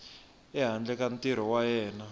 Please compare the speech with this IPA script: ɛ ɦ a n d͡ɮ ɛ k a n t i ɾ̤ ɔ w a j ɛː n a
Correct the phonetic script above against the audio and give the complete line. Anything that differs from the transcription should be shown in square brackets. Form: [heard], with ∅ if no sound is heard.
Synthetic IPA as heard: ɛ ɦ a n d͡ɮ ɛ k a n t i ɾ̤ ɔ w a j ɛː n a